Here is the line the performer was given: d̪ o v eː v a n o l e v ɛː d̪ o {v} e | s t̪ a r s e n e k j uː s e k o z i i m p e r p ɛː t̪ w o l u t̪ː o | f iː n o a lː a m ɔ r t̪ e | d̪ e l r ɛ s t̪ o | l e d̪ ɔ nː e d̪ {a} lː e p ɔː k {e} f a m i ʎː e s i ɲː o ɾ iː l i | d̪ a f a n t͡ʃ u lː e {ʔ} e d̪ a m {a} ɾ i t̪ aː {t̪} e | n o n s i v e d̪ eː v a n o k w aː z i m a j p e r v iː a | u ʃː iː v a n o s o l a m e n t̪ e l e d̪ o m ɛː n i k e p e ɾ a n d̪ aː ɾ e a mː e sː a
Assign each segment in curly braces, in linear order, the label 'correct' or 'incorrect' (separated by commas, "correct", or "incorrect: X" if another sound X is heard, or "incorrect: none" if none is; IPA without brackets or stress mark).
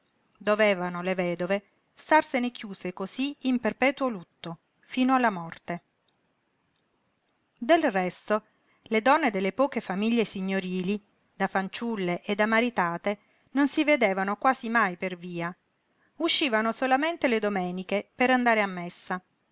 correct, incorrect: e, correct, correct, correct, correct